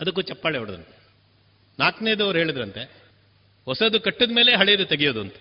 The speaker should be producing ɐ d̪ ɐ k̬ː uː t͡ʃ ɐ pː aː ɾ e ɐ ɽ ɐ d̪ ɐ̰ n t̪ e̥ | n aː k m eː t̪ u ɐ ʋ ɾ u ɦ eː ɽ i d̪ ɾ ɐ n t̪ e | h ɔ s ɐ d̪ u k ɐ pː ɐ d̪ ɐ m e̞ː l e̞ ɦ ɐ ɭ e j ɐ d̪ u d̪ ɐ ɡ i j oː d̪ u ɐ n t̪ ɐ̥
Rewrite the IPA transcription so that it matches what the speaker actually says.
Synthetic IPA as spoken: ɐ d̪ ɐ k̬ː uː t͡ʃ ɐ pː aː ɭ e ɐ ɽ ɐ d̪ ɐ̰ n t̪ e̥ | n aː k n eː d̪ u ɐ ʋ ɾ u ɦ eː ɭ i d̪ ɾ ɐ n t̪ e | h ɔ s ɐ d̪ u k ɐ ʈː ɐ d̪ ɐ m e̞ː l e̞ ɦ ɐ ɭ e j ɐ d̪ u t̪ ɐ ɡ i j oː d̪ u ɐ n t̪ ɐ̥